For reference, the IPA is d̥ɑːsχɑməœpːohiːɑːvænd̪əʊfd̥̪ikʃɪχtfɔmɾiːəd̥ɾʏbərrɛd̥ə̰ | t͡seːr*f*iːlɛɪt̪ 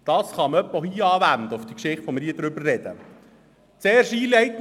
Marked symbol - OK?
no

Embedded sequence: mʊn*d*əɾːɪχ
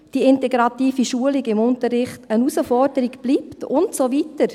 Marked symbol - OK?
no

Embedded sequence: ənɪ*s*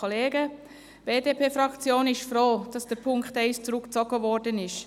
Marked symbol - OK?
no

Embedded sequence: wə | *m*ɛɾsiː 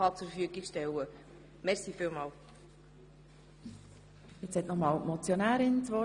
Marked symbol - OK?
yes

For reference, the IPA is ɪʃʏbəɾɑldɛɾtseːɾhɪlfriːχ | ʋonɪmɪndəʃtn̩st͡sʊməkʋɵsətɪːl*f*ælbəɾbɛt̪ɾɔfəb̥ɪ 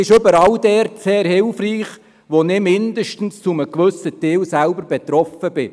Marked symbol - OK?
no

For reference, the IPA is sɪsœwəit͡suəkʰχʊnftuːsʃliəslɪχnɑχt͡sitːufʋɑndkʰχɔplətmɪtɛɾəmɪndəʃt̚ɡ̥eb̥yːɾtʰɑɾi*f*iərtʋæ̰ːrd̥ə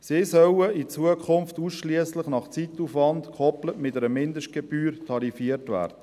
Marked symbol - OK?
yes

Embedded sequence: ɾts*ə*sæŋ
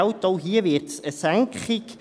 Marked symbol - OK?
yes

